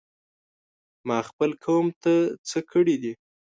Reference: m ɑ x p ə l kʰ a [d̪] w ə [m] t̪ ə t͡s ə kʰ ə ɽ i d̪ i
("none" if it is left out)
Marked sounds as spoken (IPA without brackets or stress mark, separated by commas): none, m